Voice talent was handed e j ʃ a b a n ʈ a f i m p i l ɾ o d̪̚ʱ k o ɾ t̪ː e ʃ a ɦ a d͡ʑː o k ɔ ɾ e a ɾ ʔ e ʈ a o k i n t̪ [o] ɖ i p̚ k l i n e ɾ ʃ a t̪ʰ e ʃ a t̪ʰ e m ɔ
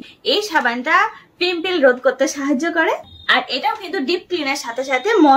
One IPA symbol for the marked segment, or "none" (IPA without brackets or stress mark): u